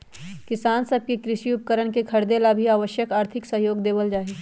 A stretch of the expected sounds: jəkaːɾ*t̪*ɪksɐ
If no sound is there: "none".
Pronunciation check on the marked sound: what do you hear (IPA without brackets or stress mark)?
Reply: t̪ʰ